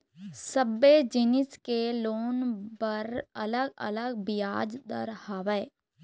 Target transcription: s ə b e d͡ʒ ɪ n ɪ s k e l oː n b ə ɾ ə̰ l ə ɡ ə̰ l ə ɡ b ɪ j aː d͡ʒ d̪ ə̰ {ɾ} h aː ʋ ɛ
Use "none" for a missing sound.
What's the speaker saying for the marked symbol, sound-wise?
ɾ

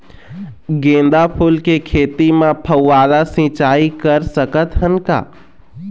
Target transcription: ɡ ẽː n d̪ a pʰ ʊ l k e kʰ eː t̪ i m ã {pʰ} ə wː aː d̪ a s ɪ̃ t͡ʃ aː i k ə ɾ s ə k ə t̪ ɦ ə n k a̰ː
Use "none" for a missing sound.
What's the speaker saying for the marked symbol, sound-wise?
pʰ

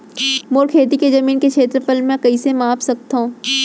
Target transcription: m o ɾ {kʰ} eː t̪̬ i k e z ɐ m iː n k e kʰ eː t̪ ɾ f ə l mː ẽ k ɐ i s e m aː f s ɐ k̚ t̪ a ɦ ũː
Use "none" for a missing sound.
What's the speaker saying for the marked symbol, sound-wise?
kʰ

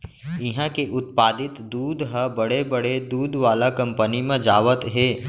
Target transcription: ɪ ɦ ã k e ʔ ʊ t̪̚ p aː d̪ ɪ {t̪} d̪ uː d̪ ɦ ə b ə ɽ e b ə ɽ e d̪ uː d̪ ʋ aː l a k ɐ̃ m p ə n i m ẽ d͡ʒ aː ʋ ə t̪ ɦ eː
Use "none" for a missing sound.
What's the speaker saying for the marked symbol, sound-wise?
t̪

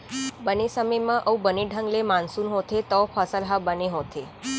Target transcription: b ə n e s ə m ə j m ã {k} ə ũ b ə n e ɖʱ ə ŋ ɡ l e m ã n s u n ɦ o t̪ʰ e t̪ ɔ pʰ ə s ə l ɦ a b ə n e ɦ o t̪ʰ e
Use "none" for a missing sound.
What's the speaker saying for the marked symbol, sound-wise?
ʔ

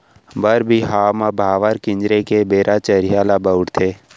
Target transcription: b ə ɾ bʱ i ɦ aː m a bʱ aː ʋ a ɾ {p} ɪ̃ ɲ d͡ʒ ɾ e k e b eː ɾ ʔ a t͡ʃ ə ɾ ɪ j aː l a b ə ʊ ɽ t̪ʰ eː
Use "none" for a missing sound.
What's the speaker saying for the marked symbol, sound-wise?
k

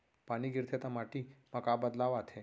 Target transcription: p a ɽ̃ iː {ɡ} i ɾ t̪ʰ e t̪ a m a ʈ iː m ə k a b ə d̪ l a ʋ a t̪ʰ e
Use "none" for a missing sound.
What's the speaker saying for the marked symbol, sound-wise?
ɡ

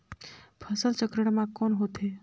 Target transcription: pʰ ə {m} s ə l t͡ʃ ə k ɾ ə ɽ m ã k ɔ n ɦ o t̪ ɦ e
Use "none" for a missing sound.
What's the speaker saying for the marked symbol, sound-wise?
none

